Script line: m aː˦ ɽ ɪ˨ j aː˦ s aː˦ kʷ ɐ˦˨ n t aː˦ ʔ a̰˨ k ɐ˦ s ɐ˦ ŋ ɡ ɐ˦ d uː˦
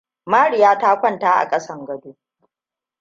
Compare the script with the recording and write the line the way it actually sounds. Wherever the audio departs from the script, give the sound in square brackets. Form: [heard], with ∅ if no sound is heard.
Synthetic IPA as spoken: m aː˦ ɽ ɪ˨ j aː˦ [t] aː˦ kʷ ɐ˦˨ n t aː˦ ʔ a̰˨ [kʼ] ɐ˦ s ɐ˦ ŋ ɡ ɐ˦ d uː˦